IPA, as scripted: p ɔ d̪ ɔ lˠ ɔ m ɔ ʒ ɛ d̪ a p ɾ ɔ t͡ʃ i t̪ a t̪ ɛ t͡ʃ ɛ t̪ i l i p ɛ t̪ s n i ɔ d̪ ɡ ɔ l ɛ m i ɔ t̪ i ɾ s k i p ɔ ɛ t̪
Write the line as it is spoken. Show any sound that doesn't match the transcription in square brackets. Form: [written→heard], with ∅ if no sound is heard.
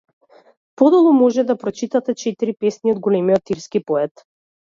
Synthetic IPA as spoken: p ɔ d̪ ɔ lˠ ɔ m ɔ ʒ ɛ d̪ a p ɾ ɔ t͡ʃ i t̪ a t̪ ɛ t͡ʃ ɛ t̪ i [l→ɾ] i p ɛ [t̪→∅] s n i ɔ d̪ ɡ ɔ l ɛ m i ɔ t̪ i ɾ s k i p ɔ ɛ t̪

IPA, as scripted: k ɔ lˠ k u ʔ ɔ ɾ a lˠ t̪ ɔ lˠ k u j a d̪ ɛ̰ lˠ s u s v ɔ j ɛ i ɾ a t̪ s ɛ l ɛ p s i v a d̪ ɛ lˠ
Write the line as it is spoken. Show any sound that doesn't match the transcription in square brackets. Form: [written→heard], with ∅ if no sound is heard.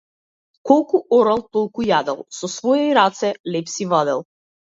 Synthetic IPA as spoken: k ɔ lˠ k u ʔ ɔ ɾ a lˠ t̪ ɔ lˠ k u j a d̪ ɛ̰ lˠ s [u→ɔ] s v ɔ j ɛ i ɾ a t̪ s ɛ l ɛ p s i v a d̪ ɛ lˠ

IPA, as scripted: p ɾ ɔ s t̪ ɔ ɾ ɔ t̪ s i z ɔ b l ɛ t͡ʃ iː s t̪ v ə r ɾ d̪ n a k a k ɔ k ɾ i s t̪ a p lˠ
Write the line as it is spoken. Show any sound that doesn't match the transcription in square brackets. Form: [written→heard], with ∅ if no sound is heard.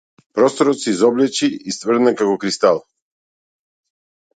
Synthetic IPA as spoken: p ɾ ɔ s t̪ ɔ ɾ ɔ t̪ s i z ɔ b l ɛ t͡ʃ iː s t̪ v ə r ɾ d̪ n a k a k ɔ k ɾ i s t̪ a [p→∅] lˠ

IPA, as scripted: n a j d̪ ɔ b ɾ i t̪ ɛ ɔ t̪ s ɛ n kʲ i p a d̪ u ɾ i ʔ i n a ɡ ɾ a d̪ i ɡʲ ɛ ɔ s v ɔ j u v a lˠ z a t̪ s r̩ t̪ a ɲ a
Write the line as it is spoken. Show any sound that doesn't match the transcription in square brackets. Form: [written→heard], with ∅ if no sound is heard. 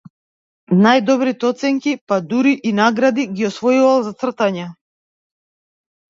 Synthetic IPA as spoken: n a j d̪ ɔ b ɾ i t̪ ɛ ɔ t̪ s ɛ [n→ŋ] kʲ i p a d̪ u ɾ i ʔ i n a ɡ ɾ a d̪ i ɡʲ [ɛ→i] ɔ s v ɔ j u v a lˠ z a t̪ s r̩ t̪ a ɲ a

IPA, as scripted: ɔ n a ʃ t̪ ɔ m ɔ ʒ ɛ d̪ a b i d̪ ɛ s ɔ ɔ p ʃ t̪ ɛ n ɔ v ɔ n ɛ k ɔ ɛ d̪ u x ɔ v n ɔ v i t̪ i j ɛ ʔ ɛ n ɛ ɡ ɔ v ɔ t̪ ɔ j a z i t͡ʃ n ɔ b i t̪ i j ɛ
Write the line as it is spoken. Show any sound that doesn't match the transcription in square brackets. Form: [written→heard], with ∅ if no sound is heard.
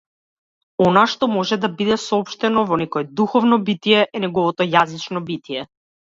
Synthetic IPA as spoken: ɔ n a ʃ t̪ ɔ m ɔ ʒ ɛ d̪ a b i d̪ ɛ s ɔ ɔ p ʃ t̪ ɛ n ɔ v ɔ n ɛ k ɔ ɛ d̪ u x ɔ v n ɔ [v→b] i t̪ i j ɛ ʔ ɛ n ɛ ɡ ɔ v ɔ t̪ ɔ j a z i t͡ʃ n ɔ b i t̪ i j ɛ

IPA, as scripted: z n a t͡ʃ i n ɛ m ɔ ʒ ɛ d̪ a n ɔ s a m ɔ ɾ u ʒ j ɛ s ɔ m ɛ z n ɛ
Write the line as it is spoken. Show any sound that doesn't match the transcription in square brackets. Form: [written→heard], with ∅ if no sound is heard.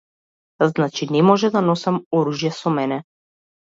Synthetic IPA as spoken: z n a t͡ʃ i n ɛ m ɔ ʒ ɛ d̪ a n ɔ s a m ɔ ɾ u ʒ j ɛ s ɔ m ɛ [z→∅] n ɛ

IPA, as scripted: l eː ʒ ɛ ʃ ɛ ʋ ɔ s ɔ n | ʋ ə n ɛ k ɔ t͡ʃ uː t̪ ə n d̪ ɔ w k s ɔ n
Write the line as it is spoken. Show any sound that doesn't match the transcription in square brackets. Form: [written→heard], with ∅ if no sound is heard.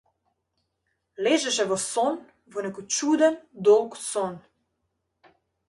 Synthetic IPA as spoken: l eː ʒ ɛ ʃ ɛ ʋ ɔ s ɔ n | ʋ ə n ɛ k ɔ t͡ʃ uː [t̪→d̪] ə n d̪ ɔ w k s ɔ n

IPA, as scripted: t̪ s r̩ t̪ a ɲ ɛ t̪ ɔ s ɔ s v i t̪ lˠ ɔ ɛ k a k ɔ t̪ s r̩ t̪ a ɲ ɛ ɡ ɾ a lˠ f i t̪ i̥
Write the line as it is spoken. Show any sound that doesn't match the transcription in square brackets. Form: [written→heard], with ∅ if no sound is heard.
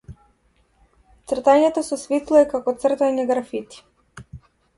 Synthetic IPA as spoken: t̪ s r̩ t̪ a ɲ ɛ t̪ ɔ s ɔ s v i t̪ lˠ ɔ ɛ k a k ɔ t̪ s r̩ t̪ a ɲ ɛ ɡ ɾ a [lˠ→∅] f i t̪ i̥

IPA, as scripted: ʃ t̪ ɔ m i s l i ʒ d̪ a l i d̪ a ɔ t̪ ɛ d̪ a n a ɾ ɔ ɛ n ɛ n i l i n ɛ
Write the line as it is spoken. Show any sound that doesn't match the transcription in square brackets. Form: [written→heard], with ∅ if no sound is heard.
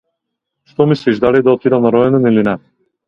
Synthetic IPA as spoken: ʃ t̪ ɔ m i s l i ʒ d̪ a l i d̪ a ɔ t̪ [ɛ→i] d̪ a n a ɾ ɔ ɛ n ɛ n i l i n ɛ

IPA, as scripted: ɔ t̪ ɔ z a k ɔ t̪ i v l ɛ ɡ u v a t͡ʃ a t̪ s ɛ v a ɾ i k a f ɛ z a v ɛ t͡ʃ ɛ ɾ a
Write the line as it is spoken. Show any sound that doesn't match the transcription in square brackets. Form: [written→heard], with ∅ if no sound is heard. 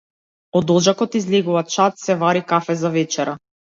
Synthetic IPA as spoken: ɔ [t̪→d̪] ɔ [z→ʒ] a k ɔ t̪ i [v→z] l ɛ ɡ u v a t͡ʃ a t̪ s ɛ v a ɾ i k a f ɛ z a v ɛ t͡ʃ ɛ ɾ a

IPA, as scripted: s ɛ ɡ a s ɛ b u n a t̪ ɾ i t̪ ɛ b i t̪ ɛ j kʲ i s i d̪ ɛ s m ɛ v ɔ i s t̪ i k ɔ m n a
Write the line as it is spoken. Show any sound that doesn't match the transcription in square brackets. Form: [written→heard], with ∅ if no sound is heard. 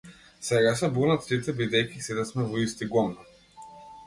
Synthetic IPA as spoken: s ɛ ɡ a s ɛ b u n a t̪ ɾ i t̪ ɛ b i [t̪→d̪] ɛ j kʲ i s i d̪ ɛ s m ɛ v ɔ i s t̪ i [k→ɡ] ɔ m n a

